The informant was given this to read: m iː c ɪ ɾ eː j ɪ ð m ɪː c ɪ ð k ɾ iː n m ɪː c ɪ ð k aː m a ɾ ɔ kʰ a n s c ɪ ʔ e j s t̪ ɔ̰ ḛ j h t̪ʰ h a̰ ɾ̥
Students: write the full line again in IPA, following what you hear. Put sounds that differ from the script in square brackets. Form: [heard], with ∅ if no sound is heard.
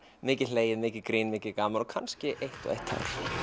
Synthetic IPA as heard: m [ɪː] c ɪ [l] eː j ɪ ð m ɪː c ɪ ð k ɾ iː n m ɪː c ɪ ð k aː m a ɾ ɔ kʰ a n s c ɪ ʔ e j [h] t̪ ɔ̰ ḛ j h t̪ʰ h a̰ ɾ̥